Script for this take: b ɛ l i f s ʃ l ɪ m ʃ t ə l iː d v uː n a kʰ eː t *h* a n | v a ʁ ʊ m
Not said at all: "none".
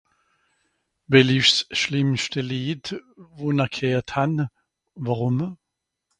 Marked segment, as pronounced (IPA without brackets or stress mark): h